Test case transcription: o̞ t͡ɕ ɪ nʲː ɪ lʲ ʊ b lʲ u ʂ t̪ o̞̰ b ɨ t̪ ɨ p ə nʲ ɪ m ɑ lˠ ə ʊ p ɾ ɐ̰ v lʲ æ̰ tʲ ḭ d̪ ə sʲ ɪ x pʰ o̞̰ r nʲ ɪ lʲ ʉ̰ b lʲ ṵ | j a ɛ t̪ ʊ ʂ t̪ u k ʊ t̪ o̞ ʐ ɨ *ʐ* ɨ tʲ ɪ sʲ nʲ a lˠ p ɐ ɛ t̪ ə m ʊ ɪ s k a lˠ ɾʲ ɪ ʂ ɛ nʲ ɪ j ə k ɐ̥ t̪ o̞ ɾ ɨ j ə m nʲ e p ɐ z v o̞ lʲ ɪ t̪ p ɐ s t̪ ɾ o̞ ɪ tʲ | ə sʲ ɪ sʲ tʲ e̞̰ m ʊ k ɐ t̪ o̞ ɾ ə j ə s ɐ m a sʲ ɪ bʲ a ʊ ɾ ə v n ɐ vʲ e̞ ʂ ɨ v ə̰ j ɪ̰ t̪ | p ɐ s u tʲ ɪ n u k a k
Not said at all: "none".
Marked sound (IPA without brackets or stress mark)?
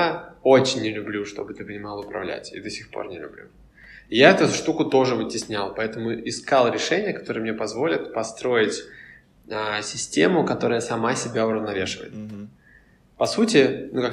v